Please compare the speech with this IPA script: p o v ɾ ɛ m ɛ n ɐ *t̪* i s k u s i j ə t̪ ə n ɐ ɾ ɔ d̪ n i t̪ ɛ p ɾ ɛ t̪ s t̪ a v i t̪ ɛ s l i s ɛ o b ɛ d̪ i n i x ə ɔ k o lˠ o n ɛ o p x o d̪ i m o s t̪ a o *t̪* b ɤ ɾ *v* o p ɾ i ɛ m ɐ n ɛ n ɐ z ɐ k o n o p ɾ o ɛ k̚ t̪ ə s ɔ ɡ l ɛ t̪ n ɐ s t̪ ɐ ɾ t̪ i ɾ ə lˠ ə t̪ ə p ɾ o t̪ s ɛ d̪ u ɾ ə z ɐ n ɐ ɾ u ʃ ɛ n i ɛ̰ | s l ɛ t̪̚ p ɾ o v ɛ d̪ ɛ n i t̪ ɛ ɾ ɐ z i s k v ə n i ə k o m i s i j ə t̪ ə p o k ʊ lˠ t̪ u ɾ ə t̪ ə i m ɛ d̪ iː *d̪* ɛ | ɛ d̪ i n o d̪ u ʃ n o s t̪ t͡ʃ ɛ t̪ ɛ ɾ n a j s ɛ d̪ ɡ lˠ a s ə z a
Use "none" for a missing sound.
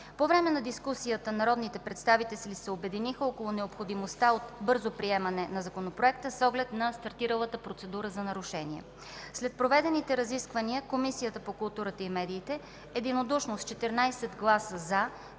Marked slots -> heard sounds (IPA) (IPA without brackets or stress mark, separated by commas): d̪, t̪, z, t̪